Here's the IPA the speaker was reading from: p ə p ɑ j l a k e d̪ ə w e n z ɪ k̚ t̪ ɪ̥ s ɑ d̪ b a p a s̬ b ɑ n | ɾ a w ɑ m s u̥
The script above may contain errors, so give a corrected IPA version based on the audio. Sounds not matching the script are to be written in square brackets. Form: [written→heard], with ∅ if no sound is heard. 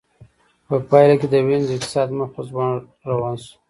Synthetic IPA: p ə p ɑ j l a k e d̪ ə w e n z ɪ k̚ t̪ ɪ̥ s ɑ d̪ [b→m] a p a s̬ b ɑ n | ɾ a w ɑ [m→n] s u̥